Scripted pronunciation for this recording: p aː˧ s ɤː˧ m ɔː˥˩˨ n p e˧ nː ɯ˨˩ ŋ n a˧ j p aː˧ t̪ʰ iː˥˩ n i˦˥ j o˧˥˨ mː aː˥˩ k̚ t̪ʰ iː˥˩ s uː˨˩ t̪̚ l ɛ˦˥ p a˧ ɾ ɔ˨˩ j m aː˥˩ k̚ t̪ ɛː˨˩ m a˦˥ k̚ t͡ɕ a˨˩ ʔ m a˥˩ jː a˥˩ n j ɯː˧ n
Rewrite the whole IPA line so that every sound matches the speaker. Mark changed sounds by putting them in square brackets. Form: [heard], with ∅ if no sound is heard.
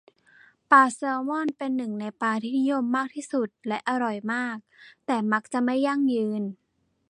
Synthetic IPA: p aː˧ s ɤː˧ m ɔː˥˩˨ n p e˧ nː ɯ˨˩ ŋ n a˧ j p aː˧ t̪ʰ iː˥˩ n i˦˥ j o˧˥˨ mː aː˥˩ k̚ t̪ʰ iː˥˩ s [u˨˩] t̪̚ l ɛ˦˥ [ʔ] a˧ ɾ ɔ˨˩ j m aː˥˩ k̚ t̪ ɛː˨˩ m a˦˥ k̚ t͡ɕ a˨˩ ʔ m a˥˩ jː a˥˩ [ŋ] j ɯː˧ n